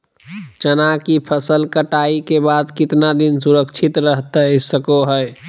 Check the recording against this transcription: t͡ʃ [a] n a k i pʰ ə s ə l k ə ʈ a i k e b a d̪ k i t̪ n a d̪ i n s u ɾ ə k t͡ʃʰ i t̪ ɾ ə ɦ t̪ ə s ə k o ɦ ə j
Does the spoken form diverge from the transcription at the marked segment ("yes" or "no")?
yes